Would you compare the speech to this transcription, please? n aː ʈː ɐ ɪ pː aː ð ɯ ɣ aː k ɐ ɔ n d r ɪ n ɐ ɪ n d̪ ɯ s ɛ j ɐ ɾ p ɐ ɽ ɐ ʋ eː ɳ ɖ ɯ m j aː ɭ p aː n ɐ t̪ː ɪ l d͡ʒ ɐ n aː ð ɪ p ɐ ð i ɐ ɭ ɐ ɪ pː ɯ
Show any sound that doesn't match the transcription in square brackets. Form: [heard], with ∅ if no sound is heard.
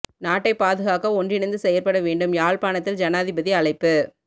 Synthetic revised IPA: n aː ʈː ɐ ɪ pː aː ð ɯ ɣ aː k ɐ ɔ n d r ɪ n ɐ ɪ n d̪ ɯ s ɛ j ɐ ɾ p ɐ ɽ ɐ ʋ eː ɳ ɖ ɯ m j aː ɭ p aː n ɐ t̪ː ɪ l d͡ʒ ɐ n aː ð ɪ [b] ɐ ð i ɐ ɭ ɐ ɪ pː ɯ